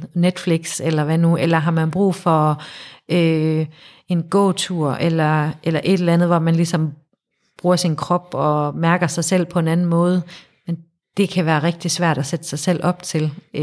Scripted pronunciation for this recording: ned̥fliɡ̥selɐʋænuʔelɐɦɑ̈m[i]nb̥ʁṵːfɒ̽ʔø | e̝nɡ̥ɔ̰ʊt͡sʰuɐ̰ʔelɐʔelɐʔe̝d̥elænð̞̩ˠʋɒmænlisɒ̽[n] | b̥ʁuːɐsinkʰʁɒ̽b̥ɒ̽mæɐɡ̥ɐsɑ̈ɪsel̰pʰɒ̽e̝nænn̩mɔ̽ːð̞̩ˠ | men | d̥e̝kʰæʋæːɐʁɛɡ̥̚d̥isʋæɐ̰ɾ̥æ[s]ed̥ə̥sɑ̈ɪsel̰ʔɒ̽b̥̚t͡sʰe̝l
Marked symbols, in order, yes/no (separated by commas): no, no, yes